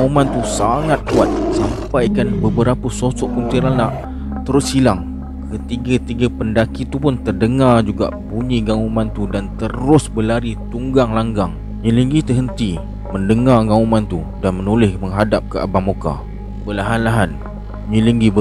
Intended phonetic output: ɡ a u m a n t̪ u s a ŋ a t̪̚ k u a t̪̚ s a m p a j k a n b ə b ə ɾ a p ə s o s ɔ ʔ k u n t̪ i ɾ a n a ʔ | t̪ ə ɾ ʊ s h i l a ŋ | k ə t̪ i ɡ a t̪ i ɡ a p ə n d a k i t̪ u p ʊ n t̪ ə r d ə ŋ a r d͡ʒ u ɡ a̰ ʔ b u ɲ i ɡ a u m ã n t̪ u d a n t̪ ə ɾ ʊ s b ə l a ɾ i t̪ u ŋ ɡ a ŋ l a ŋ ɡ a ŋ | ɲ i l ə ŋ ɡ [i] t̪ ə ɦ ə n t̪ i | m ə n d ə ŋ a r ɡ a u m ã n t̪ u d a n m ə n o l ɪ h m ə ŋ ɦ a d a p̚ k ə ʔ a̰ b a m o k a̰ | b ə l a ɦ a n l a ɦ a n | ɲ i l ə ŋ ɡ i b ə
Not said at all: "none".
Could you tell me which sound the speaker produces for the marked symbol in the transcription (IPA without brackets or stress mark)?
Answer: i